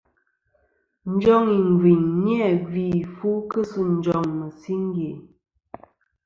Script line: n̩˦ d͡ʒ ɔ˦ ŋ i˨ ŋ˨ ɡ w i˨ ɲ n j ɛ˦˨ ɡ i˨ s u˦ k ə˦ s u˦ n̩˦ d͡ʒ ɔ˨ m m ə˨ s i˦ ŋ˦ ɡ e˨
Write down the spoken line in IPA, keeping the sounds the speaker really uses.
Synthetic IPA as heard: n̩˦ d͡ʒ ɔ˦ ŋ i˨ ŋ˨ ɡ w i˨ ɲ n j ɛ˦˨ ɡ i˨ f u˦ k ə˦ s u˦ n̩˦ d͡ʒ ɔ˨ ŋ m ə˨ s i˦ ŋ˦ ɡ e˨